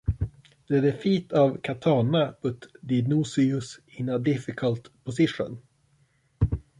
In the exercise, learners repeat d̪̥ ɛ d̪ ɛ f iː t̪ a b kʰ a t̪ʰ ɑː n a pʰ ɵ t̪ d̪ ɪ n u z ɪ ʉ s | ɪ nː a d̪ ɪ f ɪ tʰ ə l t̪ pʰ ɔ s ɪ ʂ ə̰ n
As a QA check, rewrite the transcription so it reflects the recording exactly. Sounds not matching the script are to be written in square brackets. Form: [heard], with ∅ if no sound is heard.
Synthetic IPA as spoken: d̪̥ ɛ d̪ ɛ f iː t̪ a [v] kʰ a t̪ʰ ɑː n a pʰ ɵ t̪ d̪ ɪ n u [s] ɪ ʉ s | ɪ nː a d̪ ɪ f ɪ [kʰ] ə l t̪ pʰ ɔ s ɪ ʂ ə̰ n